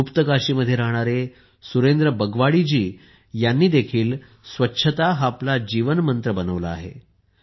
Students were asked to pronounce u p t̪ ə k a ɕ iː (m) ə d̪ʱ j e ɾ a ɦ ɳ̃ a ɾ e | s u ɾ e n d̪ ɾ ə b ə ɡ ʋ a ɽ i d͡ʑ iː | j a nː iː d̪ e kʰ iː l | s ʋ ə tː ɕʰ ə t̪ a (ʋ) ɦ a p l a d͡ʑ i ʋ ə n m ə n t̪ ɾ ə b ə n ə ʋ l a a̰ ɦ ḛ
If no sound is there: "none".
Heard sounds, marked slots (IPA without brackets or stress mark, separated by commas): m, none